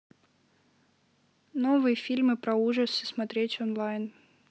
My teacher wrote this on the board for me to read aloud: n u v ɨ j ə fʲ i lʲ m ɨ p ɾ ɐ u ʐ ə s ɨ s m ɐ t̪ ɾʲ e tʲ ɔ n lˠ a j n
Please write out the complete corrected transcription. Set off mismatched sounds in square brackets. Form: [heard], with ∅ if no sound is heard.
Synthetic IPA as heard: n [o] v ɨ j ə fʲ i lʲ m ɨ p ɾ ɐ u ʐ ə s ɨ s m ɐ t̪ ɾʲ e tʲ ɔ n lˠ a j n